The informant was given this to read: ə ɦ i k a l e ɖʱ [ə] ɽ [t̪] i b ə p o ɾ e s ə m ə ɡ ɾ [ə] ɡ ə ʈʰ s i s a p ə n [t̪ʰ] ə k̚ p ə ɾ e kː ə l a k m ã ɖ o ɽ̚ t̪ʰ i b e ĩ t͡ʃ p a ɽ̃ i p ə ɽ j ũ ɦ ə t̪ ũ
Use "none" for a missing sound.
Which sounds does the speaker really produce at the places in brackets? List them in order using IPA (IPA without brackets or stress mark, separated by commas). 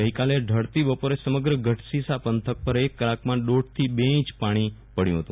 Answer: ə, t̪, ə, t̪ʰ